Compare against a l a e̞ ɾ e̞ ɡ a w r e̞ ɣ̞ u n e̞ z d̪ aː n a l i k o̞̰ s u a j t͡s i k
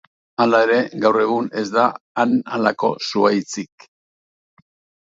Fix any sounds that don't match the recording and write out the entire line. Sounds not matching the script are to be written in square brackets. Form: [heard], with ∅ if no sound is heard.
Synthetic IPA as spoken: a l a e̞ ɾ e̞ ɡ a w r e̞ ɣ̞ u n e̞ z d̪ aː n a l [a] k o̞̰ s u a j t͡s i k

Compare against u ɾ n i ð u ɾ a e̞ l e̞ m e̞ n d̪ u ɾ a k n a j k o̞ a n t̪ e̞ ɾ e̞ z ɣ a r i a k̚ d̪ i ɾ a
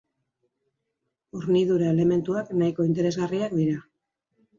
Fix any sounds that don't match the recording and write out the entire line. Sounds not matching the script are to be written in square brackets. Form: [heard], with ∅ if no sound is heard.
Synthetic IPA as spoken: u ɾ n i ð u ɾ a e̞ l e̞ m e̞ n [t̪] u [∅] a k n a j k o̞ [i] n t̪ e̞ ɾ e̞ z ɣ a r i a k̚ d̪ i ɾ a

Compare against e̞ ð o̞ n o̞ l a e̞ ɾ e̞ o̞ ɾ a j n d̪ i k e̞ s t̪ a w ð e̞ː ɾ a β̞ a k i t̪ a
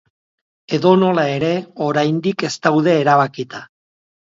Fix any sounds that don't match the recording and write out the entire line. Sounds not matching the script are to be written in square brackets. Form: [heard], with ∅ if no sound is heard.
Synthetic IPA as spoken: e̞ ð o̞ n o̞ l a e̞ ɾ e̞ o̞ ɾ a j n d̪ i k e̞ s t̪ a w ð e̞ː ɾ a β̞ a k i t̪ a

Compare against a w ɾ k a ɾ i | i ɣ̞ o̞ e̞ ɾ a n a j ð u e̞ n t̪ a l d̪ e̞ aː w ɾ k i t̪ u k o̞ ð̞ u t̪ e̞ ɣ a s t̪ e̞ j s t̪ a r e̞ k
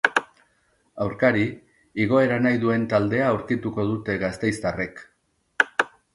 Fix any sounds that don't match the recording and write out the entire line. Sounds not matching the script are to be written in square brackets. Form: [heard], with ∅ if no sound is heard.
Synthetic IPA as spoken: a w ɾ k a ɾ i | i ɣ̞ o̞ e̞ ɾ a n a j ð u e̞ n t̪ a l d̪ e̞ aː w ɾ k i t̪ u k o̞ ð̞ u t̪ e̞ ɣ a s t̪ e̞ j s t̪ a r e̞ k

